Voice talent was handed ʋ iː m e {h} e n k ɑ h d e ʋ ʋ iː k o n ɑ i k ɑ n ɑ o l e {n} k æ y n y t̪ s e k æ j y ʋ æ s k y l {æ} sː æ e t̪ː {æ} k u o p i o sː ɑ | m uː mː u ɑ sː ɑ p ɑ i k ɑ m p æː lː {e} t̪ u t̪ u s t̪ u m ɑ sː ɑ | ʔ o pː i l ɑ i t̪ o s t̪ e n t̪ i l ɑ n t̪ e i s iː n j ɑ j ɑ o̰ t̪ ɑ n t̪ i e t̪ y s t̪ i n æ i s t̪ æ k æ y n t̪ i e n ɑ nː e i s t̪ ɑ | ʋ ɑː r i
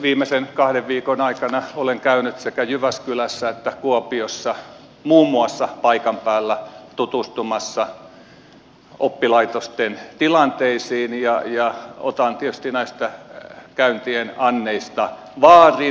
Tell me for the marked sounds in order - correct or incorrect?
incorrect: s, incorrect: ŋ, correct, correct, incorrect: æ

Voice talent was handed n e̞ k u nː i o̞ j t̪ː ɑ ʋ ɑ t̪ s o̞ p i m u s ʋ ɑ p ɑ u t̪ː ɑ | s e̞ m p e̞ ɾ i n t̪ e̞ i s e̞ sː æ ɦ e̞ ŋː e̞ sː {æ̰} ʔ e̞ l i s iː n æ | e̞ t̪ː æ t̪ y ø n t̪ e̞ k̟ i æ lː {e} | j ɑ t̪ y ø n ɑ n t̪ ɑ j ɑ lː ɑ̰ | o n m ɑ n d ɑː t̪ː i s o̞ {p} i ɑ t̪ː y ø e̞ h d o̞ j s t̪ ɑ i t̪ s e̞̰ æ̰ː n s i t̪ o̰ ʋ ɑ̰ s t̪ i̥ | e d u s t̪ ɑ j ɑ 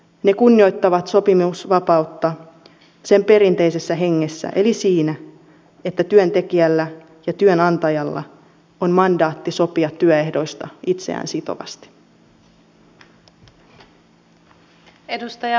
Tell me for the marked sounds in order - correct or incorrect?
correct, incorrect: æ, correct

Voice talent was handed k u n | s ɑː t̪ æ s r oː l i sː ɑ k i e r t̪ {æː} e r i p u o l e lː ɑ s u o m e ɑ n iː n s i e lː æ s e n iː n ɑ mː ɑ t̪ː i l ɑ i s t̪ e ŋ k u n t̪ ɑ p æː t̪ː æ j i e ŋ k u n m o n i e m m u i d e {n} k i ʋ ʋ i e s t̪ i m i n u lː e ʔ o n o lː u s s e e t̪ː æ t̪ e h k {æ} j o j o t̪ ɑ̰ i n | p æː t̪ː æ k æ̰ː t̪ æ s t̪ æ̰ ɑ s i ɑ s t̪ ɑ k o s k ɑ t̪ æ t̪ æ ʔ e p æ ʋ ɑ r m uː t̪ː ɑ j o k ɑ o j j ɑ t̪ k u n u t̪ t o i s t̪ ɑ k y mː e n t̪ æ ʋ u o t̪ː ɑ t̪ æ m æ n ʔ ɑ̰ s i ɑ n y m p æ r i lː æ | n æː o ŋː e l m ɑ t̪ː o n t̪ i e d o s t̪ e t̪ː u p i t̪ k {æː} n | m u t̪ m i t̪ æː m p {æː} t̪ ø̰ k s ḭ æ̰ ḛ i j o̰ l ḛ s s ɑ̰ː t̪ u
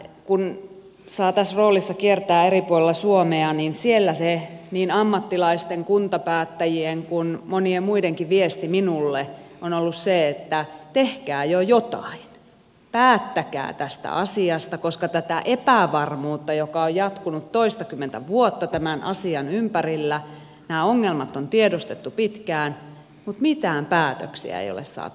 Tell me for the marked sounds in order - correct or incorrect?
correct, incorrect: ŋ, incorrect: æː, correct, correct

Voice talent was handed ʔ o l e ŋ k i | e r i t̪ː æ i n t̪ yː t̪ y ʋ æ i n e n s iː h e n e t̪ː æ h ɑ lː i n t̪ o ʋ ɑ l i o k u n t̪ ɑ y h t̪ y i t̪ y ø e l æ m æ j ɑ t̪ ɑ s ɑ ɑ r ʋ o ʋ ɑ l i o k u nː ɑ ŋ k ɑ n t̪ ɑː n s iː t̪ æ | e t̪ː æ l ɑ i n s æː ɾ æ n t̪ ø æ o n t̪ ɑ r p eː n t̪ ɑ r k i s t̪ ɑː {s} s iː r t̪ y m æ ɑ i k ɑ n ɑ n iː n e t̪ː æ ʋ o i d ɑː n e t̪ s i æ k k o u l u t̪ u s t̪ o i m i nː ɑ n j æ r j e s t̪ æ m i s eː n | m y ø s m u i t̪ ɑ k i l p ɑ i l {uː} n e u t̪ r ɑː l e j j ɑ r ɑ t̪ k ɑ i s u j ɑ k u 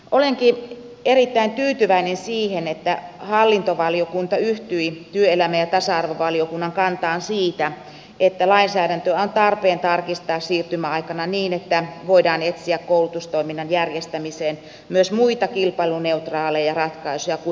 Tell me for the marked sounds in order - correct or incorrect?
correct, incorrect: u

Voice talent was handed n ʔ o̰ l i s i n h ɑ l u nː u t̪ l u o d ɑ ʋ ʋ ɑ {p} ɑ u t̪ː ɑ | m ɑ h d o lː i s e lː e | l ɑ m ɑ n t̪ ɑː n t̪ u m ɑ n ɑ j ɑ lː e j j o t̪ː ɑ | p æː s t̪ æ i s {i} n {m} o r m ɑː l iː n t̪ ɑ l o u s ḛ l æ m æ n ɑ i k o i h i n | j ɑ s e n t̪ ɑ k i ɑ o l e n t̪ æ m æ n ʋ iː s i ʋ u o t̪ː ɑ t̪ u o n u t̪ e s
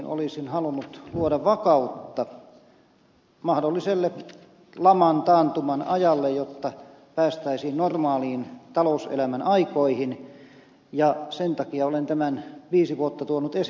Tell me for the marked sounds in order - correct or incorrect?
incorrect: k, incorrect: iː, incorrect: n

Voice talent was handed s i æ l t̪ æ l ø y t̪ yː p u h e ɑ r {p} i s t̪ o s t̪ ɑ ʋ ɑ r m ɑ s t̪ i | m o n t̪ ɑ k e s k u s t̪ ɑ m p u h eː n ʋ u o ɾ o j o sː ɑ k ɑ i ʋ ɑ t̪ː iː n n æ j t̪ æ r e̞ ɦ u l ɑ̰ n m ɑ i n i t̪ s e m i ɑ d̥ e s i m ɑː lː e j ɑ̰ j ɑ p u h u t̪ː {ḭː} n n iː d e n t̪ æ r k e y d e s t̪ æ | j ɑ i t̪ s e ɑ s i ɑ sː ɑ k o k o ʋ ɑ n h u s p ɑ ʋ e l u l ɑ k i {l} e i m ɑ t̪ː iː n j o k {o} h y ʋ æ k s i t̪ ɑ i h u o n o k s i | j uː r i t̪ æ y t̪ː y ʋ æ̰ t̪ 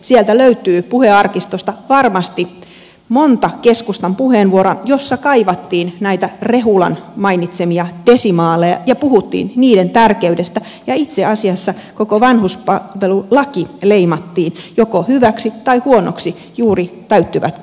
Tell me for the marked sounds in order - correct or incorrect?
incorrect: k, correct, correct, correct

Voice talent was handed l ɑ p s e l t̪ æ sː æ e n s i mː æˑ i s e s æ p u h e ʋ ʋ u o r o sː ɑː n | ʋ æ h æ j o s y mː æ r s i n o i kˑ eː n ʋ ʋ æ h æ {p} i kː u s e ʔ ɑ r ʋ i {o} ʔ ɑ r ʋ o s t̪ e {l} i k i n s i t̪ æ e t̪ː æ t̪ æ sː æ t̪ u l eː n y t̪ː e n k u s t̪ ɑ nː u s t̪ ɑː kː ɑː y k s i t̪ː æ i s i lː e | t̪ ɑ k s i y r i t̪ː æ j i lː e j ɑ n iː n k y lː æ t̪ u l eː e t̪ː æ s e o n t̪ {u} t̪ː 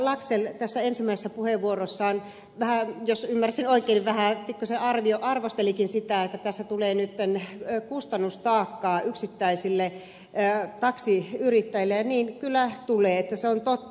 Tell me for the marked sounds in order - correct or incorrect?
correct, correct, correct, incorrect: o

